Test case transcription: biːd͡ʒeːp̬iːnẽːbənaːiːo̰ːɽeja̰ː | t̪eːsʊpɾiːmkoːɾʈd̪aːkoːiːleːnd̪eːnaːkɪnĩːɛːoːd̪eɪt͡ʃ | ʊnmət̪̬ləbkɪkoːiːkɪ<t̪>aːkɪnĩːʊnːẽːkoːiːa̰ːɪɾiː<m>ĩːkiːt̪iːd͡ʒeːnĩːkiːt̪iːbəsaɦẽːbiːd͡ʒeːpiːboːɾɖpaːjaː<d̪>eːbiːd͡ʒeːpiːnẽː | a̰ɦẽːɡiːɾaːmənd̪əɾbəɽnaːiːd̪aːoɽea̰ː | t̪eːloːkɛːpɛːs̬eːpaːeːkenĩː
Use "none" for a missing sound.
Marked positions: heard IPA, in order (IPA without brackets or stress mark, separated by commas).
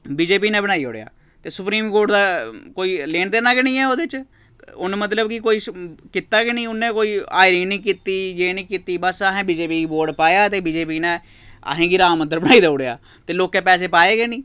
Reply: t̪, n, t̪